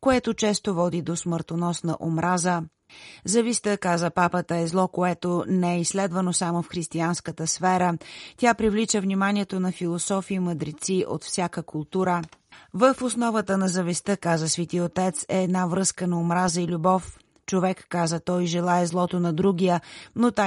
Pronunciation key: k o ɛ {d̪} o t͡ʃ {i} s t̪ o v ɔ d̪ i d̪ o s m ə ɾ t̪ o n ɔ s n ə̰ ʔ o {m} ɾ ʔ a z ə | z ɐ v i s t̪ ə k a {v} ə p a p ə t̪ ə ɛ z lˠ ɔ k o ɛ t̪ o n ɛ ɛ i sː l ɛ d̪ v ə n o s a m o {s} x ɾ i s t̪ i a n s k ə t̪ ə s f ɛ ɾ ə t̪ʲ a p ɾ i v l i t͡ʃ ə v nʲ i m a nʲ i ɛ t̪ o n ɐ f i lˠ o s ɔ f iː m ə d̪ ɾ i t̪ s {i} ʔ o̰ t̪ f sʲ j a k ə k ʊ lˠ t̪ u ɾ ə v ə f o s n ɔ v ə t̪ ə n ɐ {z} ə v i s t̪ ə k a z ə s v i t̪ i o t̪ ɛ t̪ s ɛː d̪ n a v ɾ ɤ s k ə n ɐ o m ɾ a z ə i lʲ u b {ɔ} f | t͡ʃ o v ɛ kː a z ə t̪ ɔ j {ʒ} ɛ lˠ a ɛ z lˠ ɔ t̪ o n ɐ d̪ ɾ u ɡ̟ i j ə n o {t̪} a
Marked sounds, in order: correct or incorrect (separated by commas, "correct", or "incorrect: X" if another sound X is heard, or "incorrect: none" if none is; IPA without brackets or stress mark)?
incorrect: t̪, incorrect: ɛ, correct, incorrect: z, incorrect: f, correct, correct, correct, correct, correct